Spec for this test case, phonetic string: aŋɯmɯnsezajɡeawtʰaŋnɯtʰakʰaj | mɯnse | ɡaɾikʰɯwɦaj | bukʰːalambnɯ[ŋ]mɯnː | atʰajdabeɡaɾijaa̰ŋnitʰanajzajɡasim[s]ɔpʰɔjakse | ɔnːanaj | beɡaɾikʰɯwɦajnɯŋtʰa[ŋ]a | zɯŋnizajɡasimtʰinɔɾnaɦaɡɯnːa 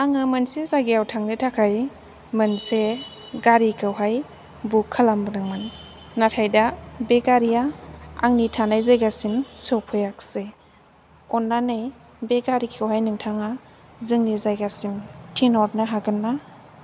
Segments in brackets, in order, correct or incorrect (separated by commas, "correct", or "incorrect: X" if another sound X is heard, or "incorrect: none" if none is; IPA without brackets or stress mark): correct, correct, correct